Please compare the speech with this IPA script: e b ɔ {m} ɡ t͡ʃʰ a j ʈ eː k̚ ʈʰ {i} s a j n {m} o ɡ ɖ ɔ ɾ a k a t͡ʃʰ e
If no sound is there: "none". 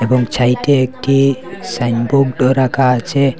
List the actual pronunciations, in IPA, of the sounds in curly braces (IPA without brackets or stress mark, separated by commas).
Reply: ŋ, i, b